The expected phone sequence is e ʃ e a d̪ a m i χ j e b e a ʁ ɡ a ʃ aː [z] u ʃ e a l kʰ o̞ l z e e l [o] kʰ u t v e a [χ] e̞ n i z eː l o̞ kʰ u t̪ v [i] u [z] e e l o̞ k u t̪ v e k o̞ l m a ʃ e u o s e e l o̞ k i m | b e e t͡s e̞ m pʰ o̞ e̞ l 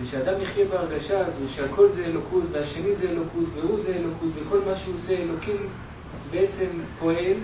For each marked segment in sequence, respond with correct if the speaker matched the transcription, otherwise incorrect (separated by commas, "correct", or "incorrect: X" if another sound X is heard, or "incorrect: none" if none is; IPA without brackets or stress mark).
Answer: correct, correct, incorrect: ʃ, incorrect: e, correct